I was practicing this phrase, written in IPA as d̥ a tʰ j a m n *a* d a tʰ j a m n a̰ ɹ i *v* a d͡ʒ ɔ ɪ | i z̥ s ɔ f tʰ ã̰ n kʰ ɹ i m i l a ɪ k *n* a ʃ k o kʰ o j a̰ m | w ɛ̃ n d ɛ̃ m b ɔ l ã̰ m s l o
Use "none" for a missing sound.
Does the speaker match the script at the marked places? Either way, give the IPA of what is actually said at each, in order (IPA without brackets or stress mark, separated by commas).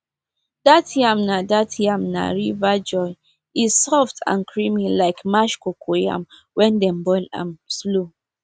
a, v, m